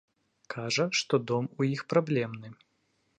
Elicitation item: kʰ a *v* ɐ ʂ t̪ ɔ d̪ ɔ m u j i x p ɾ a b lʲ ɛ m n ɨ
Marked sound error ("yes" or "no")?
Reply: yes